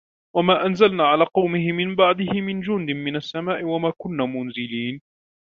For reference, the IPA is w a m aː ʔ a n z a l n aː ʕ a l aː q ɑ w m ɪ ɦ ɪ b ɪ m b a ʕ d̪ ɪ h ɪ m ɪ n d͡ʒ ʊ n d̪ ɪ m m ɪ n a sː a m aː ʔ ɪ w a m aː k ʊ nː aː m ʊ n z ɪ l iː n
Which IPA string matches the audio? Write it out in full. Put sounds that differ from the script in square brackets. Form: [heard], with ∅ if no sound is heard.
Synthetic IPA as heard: w a m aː ʔ a n z a l n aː ʕ a l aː q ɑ w m ɪ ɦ ɪ [m] ɪ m b a ʕ d̪ ɪ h ɪ m ɪ n d͡ʒ ʊ n d̪ ɪ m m ɪ n a sː a m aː ʔ ɪ w a m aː k ʊ nː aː m ʊ n z ɪ l iː n